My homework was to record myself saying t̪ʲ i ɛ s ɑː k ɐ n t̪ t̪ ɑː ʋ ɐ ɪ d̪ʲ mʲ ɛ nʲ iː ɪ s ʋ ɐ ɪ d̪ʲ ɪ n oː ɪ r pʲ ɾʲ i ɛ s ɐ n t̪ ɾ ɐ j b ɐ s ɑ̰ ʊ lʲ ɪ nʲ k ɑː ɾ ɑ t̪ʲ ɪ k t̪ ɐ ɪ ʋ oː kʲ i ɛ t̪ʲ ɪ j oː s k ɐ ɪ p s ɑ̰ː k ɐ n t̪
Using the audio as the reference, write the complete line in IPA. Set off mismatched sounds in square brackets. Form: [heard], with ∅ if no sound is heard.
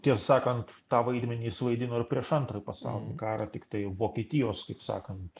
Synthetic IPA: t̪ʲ i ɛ s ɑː k ɐ n t̪ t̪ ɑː ʋ ɐ ɪ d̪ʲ mʲ ɛ nʲ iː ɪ s ʋ ɐ ɪ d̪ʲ ɪ n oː ɪ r pʲ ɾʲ i ɛ [ʃ] ɐ n t̪ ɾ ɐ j [p] ɐ s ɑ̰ ʊ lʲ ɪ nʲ k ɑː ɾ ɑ t̪ʲ ɪ k t̪ ɐ ɪ ʋ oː kʲ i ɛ t̪ʲ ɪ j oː s k ɐ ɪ p s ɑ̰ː k ɐ n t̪